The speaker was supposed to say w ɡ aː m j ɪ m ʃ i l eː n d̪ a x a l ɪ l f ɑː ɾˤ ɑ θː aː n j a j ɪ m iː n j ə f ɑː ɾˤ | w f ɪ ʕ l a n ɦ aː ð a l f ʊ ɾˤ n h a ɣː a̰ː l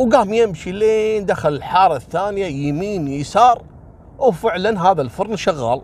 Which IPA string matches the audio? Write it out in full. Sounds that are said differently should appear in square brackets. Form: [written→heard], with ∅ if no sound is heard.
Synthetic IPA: w ɡ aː m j ɪ m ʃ i l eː n d̪ a x a l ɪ l [f→ħ] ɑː ɾˤ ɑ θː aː n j a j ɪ m iː n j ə [f→s] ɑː ɾˤ | w f ɪ ʕ l a n ɦ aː ð a l f ʊ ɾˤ n [h→ʃ] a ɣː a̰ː l